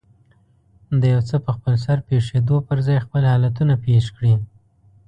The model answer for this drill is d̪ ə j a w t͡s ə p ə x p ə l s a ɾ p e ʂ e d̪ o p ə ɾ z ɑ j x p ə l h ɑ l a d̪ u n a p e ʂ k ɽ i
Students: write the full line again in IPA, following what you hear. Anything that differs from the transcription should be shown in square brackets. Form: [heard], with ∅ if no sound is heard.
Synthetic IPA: d̪ ə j a w t͡s ə p ə x p ə l s a ɾ p e ʂ e d̪ o p ə ɾ z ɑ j x p ə l h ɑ l a [t̪] u n a p e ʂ k ɽ i

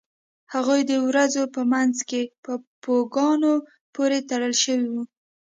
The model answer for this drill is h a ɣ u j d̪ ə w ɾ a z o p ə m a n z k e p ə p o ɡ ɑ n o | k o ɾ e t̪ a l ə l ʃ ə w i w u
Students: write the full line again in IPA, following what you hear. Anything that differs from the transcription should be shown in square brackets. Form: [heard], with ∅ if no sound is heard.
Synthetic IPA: h a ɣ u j d̪ ə w ɾ a z o p ə m a n z k e p ə p o ɡ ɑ n o | [p] o ɾ e t̪ a [ɽ] ə l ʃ ə w i w u

